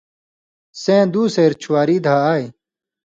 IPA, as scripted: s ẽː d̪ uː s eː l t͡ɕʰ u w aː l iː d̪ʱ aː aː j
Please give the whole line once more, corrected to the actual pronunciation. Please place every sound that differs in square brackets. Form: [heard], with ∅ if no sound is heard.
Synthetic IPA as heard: s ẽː d̪ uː s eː [ɾ] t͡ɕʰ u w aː [ɾ] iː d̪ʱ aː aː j